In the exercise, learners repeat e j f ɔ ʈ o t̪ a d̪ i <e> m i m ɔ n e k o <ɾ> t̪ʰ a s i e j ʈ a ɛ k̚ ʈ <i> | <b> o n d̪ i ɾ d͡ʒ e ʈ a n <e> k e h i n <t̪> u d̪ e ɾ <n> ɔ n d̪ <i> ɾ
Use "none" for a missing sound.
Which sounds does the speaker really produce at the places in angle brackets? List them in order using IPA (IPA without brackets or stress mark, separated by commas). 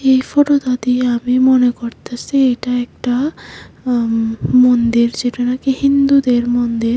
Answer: a, ɾ, a, m, a, d̪, m, i